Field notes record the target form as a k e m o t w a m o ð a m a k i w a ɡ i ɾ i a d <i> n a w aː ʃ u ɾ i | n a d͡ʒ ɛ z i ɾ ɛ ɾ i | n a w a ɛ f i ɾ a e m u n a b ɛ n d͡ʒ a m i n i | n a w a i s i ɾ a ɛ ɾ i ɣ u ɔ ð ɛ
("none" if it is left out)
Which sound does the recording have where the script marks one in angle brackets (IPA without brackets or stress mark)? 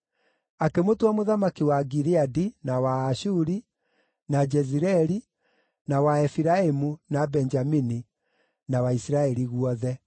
i